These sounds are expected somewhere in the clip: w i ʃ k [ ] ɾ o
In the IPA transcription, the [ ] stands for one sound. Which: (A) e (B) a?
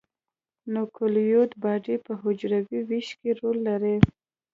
A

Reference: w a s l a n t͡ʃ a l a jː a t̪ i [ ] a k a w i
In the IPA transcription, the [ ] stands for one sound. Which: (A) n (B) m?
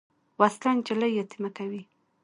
B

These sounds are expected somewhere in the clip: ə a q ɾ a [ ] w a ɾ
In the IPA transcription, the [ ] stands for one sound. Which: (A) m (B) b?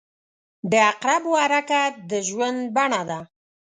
B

